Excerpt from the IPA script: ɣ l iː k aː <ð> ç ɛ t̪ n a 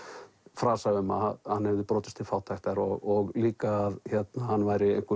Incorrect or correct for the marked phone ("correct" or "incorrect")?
correct